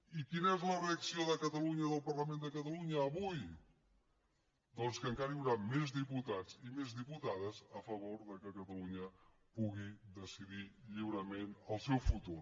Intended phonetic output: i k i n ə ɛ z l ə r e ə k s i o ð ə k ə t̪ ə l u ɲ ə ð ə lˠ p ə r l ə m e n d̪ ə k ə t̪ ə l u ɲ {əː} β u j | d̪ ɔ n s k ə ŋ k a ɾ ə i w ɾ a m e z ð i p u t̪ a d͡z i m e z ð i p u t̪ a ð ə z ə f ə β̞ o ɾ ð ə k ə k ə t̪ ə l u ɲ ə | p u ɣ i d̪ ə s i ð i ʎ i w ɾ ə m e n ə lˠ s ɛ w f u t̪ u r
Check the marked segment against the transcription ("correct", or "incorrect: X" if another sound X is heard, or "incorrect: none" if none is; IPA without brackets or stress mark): correct